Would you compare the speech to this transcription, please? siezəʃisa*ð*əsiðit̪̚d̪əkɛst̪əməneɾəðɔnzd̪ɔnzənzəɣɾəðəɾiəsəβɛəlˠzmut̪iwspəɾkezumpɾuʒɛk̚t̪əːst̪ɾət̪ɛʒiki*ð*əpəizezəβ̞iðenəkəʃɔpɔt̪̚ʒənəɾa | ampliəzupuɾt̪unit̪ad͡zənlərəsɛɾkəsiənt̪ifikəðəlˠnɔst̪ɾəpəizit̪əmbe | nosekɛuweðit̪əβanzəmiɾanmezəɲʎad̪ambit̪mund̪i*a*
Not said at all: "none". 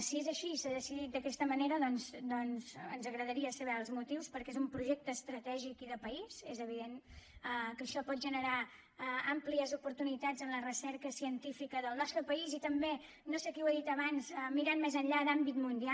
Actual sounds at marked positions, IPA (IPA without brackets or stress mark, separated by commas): ð, ð, a